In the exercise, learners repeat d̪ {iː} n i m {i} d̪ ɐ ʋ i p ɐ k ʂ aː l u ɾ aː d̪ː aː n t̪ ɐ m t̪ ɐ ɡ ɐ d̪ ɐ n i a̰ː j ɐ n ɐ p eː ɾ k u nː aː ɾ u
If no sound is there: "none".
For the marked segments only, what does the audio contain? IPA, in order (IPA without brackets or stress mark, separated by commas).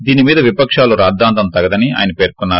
iː, iː